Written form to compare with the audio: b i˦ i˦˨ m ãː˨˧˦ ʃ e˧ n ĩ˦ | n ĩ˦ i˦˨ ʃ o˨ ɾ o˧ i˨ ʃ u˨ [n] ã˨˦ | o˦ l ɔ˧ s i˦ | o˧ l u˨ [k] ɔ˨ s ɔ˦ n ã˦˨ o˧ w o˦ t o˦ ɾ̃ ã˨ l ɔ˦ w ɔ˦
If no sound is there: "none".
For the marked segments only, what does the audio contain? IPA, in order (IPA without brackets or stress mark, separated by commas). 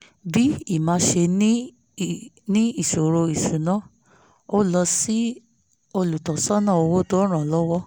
n, t